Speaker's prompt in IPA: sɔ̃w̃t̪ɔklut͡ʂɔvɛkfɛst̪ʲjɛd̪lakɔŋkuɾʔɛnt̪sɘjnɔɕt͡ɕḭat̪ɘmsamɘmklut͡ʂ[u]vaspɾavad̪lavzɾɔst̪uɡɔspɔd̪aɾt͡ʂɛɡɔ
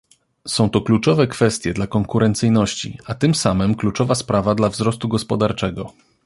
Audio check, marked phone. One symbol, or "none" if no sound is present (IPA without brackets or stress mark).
ɔ